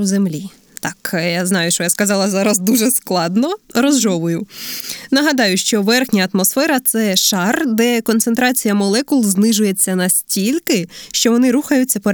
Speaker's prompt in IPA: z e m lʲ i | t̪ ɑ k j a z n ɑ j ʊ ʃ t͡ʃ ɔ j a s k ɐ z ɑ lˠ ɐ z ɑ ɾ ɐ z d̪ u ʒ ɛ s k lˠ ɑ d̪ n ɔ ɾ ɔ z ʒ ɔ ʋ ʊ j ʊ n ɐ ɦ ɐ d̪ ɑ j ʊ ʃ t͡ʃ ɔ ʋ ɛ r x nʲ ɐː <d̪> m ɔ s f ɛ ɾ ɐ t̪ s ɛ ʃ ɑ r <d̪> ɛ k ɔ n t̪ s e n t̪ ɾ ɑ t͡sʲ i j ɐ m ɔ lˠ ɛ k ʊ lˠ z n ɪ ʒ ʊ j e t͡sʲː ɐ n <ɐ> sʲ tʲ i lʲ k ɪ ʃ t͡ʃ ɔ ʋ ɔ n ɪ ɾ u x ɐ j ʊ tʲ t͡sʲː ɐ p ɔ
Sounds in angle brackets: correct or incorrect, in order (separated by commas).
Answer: incorrect, correct, correct